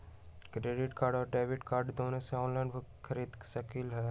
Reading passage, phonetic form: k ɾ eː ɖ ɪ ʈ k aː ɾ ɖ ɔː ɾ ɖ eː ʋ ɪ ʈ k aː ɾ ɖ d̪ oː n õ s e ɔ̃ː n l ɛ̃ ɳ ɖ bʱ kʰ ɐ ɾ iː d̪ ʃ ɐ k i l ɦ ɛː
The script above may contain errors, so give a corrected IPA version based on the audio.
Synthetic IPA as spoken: k ɾ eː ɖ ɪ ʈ k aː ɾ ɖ ɔː ɾ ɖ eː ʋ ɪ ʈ k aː ɾ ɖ d̪ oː n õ s e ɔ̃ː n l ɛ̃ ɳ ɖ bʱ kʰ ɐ ɾ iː d̪ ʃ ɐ k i l ɦ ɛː

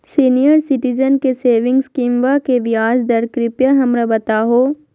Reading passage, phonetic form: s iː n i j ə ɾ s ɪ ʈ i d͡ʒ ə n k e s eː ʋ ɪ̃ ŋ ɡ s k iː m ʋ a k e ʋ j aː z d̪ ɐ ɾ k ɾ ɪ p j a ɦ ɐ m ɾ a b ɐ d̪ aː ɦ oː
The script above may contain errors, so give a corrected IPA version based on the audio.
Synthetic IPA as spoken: s iː n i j ə ɾ s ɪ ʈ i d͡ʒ ə n k e s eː ʋ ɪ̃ ŋ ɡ s k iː m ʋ a k e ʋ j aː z d̪ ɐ ɾ k ɾ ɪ p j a ɦ ɐ m ɾ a b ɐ t̪ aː ɦ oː

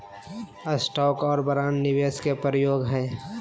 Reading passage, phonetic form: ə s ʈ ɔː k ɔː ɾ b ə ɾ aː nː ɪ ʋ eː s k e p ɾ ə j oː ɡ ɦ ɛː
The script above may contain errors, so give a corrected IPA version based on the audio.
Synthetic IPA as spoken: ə s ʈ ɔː k ɔː ɾ b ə ɾ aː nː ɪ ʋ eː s k e p ɾ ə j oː ɡ ɦ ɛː

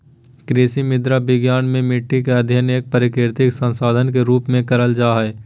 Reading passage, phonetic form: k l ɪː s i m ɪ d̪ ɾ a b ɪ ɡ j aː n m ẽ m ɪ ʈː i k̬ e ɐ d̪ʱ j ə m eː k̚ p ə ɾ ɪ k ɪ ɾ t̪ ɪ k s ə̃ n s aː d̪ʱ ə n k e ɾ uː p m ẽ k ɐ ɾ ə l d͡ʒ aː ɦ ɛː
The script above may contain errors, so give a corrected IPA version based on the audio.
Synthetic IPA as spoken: k ɾ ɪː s i m ɪ d̪ ɾ a b ɪ ɡ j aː n m ẽ m ɪ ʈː i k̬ e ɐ d̪ʱ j ə n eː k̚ p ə ɾ ɪ k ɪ ɾ t̪ ɪ k s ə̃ n s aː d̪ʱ ə n k e ɾ uː p m ẽ k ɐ ɾ ə l d͡ʒ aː ɦ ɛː

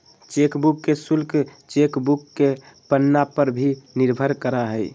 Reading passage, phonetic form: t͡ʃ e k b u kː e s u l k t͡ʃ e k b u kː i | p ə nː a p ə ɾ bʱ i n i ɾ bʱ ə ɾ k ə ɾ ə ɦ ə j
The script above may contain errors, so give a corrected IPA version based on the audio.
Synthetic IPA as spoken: t͡ʃ e k b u kː e s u l k t͡ʃ e k b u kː e | p ə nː a p ə ɾ bʱ i n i ɾ bʱ ə ɾ k ə ɾ a ɦ ə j

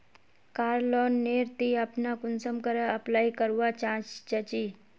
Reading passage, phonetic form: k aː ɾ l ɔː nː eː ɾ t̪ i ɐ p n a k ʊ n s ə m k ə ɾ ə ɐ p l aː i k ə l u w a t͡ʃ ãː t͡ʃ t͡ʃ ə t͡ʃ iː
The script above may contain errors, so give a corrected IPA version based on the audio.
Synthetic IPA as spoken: k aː ɾ l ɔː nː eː ɾ t̪ i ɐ p n a k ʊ n s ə m k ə ɾ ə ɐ p l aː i k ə ɾ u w a t͡ʃ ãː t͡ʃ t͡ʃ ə t͡ʃ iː

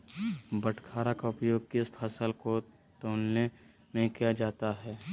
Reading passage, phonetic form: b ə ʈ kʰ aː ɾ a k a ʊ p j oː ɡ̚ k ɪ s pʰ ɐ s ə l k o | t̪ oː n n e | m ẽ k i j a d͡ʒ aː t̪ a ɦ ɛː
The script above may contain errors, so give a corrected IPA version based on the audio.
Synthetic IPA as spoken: b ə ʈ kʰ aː ɾ a k a ʊ p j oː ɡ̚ k ɪ s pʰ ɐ s ə l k o | t̪ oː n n e | m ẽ k i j a d͡ʒ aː t̪ a ɦ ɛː

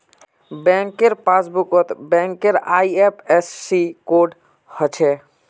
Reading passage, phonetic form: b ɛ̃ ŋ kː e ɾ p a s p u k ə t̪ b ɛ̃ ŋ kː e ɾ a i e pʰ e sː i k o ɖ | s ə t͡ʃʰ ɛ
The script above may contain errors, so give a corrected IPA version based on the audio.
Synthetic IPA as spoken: b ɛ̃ ŋ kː e ɾ p a s b u k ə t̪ b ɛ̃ ŋ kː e ɾ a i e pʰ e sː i k o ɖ | h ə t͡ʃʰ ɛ

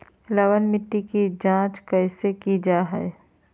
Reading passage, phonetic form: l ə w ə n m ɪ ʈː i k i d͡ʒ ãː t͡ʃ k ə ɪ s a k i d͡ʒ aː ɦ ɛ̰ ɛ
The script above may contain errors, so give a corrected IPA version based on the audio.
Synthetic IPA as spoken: l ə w ə n m ɪ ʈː i k i d͡ʒ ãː t͡ʃ k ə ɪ s e k i d͡ʒ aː ɦ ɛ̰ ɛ

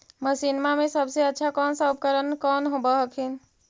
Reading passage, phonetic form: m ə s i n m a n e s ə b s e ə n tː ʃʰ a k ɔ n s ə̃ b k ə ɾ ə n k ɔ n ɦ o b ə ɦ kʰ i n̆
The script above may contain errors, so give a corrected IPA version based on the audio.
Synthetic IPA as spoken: m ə s i n m a m e s ə b s e ə tː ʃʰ a k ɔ n s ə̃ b k ə ɾ ə n k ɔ n ɦ o b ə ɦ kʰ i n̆

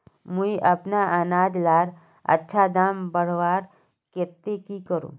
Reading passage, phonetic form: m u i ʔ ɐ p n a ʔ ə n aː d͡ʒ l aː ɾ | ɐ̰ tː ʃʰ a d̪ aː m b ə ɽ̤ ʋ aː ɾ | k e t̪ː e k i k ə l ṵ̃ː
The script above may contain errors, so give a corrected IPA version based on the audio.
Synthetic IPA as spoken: m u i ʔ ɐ p n a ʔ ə n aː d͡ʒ l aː ɾ | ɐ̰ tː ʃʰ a d̪ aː m b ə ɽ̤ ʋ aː ɾ | k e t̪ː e k i k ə ɾ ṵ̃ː

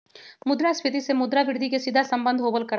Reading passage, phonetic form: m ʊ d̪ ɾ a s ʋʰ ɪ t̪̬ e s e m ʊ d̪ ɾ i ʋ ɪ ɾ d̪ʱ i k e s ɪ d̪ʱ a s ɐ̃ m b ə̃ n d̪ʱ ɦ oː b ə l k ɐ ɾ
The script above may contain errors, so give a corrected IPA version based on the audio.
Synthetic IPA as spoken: m ʊ d̪ ɾ a s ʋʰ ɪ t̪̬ i s e m ʊ d̪ ɾ a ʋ ɪ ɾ d̪ʱ i k e s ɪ d̪ʱ a s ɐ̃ m b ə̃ n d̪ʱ ɦ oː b ə l k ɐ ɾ

